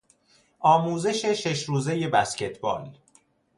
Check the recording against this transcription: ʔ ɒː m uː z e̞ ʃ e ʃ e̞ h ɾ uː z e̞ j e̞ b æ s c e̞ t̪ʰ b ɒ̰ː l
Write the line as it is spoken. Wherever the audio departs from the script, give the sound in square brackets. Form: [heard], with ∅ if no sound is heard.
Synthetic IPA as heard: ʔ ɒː m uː z e̞ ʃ e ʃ e̞ [ʃ] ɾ uː z e̞ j e̞ b æ s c e̞ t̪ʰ b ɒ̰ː l